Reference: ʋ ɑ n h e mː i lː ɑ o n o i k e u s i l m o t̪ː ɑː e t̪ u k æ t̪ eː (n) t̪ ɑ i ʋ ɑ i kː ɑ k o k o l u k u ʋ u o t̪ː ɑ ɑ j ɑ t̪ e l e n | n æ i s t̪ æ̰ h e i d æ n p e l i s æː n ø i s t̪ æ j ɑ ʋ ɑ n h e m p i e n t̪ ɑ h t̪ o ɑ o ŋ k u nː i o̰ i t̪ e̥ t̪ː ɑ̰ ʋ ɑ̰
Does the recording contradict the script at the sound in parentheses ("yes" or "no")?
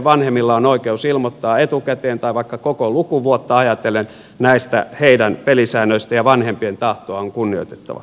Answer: no